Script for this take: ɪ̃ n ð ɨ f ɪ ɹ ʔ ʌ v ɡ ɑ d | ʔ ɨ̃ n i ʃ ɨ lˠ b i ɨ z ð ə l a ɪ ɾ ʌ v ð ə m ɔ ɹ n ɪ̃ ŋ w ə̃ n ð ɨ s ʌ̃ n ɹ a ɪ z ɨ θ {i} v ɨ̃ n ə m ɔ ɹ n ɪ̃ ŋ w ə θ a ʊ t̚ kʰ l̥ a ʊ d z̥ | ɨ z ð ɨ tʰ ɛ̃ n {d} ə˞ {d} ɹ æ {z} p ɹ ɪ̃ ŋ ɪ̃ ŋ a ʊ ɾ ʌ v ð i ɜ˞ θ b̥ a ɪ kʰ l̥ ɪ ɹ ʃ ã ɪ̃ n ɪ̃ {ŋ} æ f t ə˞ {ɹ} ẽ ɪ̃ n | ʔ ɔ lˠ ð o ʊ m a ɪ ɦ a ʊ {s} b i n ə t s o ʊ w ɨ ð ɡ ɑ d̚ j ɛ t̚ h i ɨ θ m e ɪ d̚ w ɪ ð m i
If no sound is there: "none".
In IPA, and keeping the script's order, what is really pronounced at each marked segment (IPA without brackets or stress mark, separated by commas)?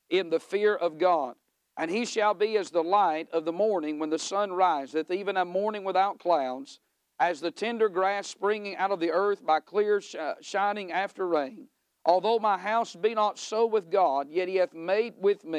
i, d, ɡ, s, ŋ, ɹ, s